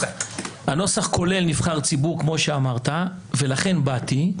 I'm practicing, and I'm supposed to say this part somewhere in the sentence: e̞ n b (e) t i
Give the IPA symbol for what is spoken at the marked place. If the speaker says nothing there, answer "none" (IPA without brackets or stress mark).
a